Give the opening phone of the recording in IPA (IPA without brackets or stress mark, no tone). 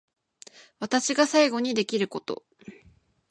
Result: β